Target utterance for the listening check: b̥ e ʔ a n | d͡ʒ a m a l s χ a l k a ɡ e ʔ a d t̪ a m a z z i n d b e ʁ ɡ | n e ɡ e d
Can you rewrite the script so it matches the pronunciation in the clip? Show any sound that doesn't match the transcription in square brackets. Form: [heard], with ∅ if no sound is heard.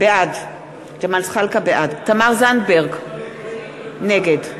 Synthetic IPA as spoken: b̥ e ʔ a [d] | d͡ʒ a m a l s χ a l k a [b] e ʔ a d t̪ a m a [ʁ] z [a] n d b e ʁ ɡ | n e ɡ e d